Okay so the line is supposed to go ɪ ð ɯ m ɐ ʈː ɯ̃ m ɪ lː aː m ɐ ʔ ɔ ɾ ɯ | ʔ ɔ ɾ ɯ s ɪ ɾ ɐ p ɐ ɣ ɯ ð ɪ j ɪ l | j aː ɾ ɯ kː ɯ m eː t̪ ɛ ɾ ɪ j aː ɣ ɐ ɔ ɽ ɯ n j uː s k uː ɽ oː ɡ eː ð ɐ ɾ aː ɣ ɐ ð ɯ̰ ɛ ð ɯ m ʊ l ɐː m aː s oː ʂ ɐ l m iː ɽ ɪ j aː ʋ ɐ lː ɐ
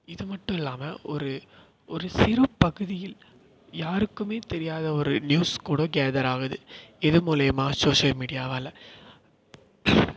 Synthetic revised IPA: ɪ ð ɯ m ɐ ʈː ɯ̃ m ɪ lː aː m ɐ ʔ ɔ ɾ ɯ | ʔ ɔ ɾ ɯ s ɪ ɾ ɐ p ɐ ɣ ɯ ð ɪ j ɪ l | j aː ɾ ɯ kː ɯ m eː t̪ ɛ ɾ ɪ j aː ð ɐ ɔ ɾ ɯ n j uː s k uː ɽ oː ɡ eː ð ɐ ɾ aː ɣ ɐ ð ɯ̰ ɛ ð ɯ m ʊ l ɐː m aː s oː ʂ ɐ l m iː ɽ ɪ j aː ʋ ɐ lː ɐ